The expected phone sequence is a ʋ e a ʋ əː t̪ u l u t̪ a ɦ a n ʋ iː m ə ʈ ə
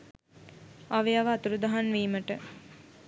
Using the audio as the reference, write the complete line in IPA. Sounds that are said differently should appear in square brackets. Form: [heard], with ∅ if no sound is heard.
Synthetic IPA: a ʋ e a ʋ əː t̪ u [ɾ] u [d̪] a ɦ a n ʋ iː m ə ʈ ə